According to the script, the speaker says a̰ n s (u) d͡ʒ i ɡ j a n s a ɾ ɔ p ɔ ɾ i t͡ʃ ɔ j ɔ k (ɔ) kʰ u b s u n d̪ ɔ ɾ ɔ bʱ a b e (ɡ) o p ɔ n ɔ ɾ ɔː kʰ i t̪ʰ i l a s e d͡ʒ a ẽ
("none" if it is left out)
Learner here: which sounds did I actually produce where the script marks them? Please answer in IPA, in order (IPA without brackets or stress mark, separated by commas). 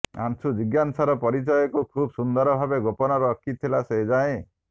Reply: u, u, ɡ